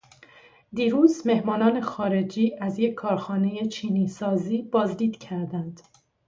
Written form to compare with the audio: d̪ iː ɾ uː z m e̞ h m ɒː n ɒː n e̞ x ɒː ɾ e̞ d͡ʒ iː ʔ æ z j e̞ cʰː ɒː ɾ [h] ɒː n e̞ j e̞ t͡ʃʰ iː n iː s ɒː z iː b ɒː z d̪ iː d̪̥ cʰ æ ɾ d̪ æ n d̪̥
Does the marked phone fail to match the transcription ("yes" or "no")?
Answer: yes